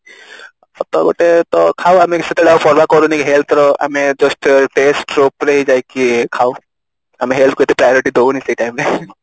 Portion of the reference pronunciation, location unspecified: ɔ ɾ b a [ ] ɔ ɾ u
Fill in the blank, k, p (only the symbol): k